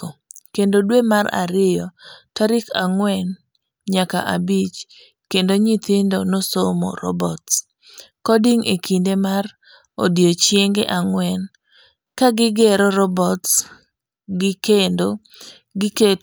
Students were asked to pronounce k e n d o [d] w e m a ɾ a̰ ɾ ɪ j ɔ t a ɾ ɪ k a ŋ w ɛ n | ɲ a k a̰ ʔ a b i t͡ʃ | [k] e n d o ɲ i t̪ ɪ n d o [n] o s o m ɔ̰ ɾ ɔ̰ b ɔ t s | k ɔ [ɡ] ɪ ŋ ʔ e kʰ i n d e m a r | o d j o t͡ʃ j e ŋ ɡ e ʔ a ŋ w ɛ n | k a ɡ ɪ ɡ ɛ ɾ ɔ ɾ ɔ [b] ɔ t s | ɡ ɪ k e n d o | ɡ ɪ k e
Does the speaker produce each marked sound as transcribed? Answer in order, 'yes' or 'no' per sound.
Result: yes, yes, yes, no, yes

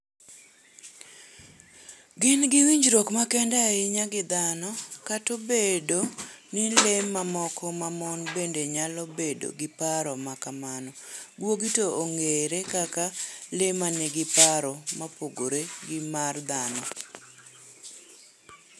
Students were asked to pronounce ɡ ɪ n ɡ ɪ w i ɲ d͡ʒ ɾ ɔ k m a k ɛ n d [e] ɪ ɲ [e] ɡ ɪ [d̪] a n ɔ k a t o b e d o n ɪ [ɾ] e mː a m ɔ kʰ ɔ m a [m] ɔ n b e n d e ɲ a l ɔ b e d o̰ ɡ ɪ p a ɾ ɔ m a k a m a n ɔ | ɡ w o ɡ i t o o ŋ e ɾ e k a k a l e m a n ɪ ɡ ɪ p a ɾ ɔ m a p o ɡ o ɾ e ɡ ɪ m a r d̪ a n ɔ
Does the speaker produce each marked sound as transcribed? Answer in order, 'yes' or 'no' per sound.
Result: no, no, yes, no, yes

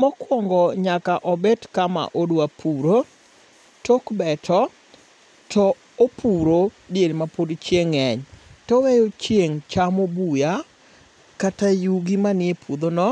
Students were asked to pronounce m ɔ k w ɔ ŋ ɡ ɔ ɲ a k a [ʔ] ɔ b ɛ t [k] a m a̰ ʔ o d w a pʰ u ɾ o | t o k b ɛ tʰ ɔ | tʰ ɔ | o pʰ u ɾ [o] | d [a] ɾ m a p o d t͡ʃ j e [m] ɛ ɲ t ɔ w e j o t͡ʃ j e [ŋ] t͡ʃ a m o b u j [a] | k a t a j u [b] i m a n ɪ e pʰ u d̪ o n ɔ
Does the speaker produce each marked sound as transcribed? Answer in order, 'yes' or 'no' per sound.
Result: yes, yes, yes, no, no, yes, yes, no

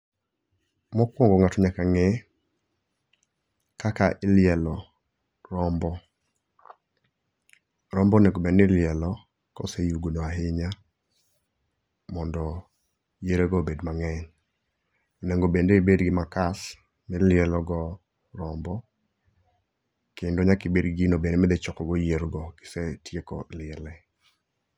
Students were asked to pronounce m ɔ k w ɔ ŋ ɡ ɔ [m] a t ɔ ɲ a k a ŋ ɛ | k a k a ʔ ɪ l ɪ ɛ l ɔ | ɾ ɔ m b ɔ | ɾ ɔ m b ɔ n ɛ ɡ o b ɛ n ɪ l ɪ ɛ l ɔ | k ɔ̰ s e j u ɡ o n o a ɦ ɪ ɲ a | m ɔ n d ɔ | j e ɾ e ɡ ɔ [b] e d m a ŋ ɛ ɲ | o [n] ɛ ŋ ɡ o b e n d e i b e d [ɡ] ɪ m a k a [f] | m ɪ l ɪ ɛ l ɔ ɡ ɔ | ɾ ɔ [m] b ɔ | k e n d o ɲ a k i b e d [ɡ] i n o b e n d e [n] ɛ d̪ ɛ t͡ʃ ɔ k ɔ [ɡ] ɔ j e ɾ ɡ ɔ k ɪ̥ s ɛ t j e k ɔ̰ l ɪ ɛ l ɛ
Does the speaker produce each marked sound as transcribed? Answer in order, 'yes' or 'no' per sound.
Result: no, yes, yes, yes, no, yes, yes, no, yes

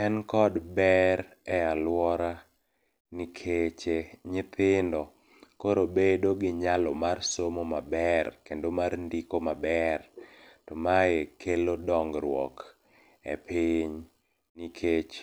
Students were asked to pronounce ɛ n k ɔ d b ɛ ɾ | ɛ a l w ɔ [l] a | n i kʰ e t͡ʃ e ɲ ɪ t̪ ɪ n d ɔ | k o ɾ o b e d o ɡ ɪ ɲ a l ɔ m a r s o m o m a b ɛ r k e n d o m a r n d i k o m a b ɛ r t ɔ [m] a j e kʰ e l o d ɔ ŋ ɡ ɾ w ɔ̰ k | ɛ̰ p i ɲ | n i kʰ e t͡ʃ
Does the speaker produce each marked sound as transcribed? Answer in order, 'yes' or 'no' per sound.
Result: no, yes

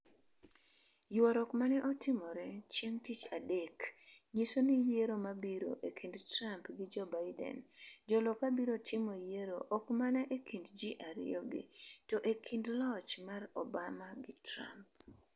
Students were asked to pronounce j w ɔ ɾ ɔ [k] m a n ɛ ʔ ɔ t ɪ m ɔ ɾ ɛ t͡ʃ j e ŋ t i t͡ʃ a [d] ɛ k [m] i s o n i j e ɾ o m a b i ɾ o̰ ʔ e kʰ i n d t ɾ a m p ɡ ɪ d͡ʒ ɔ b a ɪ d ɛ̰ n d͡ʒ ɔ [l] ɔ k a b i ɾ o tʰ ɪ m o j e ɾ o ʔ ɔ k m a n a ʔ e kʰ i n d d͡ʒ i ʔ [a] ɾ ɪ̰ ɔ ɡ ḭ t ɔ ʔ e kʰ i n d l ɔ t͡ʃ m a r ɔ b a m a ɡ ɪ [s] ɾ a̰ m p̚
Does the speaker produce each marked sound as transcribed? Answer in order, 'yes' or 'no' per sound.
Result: yes, yes, no, yes, yes, no

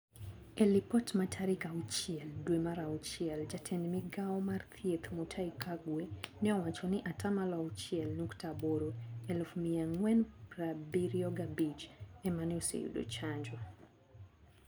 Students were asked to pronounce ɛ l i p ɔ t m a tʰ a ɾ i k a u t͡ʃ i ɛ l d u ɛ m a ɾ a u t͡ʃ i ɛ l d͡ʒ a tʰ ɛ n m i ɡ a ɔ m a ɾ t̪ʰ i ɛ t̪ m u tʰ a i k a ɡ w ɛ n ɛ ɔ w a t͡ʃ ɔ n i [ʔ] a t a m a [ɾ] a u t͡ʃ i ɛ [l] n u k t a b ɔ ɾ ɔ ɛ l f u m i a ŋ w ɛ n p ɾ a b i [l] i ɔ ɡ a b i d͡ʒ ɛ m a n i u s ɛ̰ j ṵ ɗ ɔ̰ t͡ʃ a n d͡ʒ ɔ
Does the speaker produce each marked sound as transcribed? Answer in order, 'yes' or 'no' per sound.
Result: yes, no, yes, no

